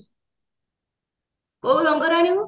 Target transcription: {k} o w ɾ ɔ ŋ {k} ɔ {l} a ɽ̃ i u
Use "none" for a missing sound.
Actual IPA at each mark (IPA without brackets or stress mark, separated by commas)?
k, ɡ, ɾ